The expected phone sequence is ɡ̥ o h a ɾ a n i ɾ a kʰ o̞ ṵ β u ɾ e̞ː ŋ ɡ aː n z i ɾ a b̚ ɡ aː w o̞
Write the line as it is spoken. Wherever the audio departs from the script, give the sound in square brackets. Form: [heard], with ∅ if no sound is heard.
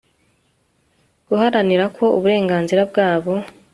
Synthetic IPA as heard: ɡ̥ [u] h a ɾ a n i ɾ a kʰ o̞ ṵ β u ɾ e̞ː ŋ ɡ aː n z i ɾ a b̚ ɡ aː [β] o̞